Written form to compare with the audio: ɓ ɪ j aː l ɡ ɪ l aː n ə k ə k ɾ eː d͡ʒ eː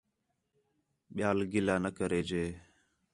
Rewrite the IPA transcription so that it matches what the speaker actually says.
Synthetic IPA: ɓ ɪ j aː l ɡ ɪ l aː n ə k ə ɾ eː d͡ʒ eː